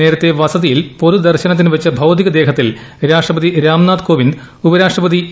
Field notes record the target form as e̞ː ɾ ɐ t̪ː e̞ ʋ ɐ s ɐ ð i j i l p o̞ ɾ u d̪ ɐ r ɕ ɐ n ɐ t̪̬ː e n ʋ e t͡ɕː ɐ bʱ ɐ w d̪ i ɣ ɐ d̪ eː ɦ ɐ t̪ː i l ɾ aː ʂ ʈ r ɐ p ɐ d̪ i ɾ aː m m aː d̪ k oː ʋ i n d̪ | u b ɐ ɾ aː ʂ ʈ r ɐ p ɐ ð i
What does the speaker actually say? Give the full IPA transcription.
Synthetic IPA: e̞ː ɾ ɐ t̪ː e̞ ʋ ɐ s ɐ ð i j i l p o̞ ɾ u d̪ ɐ r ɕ ɐ n ɐ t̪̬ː i n ʋ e t͡ɕː ɐ bʱ ɐ w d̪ i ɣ ɐ d̪ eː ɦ ɐ t̪ː i l ɾ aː ʂ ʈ r ɐ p ɐ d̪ i ɾ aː m n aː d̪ k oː ʋ i n d̪ | u b ɐ ɾ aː ʂ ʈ r ɐ p ɐ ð i